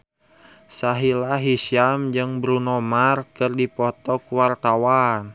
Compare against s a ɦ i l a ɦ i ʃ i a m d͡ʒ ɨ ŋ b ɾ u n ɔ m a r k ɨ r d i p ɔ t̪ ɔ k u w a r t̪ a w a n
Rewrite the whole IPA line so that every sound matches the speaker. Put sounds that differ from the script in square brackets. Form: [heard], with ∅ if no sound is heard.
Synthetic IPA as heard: s a ɦ i l a ɦ i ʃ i a m d͡ʒ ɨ ŋ b ɾ u n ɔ m a r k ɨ r d i p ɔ t̪ ɔ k u w a r t̪ a w a n